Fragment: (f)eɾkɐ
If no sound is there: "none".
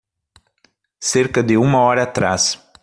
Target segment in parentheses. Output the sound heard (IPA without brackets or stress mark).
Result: s